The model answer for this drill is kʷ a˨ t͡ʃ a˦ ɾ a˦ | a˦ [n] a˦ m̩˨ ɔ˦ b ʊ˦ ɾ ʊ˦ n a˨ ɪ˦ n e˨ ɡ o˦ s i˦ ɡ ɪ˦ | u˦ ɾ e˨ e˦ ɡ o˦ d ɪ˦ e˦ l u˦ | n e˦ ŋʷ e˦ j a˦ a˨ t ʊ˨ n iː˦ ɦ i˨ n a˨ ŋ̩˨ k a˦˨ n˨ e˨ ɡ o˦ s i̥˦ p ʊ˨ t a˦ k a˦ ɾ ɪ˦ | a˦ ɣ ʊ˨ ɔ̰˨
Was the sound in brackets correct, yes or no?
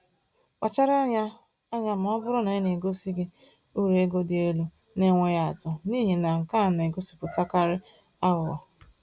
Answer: no